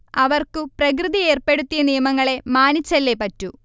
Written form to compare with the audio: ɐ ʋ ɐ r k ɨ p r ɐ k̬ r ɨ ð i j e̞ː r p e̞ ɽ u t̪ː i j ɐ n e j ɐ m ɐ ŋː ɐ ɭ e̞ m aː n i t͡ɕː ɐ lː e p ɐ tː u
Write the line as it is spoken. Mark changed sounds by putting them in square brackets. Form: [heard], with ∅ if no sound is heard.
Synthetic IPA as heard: ɐ ʋ ɐ r k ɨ p r ɐ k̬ r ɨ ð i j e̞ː r p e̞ ɽ u t̪ː i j ɐ n [i] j ɐ m ɐ ŋː ɐ ɭ e̞ m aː n i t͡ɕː ɐ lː e p ɐ tː u